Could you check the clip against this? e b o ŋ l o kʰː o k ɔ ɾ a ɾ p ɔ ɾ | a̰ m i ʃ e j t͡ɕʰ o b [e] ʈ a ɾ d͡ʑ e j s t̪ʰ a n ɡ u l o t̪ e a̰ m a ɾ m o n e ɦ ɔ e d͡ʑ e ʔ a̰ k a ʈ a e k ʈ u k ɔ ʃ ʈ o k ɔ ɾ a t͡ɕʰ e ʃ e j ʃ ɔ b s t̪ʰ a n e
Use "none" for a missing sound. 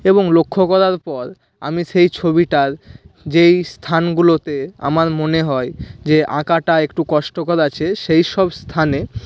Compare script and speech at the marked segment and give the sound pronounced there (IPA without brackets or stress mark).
i